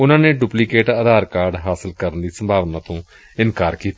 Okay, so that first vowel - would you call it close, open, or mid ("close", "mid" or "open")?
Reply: close